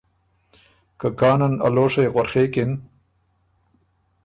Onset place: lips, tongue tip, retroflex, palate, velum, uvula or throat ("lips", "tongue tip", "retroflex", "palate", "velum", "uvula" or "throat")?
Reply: velum